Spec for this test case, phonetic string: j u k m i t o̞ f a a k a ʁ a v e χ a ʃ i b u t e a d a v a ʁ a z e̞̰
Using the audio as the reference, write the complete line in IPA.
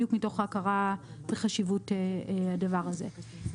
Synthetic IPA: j u k m i t o̞ χ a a k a ʁ a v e χ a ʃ i v u t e a d a v a ʁ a z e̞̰